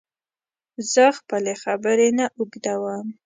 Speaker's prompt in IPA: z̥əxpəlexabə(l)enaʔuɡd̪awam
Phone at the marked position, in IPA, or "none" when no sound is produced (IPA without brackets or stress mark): ɾ